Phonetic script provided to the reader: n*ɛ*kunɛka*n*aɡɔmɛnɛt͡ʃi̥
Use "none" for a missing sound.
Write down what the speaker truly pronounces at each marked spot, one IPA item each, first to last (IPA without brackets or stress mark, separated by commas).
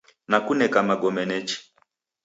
a, m